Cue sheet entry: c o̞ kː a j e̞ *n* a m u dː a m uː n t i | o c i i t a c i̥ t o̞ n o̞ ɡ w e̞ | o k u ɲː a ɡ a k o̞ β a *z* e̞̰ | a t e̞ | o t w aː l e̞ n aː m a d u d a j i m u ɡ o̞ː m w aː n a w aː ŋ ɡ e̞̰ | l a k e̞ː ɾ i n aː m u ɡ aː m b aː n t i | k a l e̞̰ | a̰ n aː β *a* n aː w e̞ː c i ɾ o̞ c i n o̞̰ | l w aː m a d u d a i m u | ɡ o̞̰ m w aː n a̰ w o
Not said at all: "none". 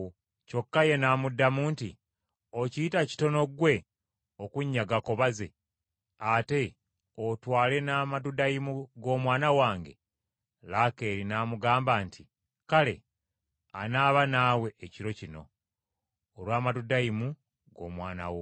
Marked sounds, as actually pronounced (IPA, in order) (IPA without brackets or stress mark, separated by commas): n, z, a